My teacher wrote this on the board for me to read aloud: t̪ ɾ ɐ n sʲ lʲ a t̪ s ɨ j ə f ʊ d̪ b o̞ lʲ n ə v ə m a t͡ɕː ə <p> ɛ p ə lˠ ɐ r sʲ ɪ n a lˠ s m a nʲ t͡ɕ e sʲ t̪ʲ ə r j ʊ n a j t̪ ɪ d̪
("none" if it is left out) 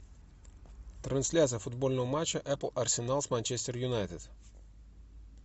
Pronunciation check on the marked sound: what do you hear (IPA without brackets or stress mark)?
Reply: ʔ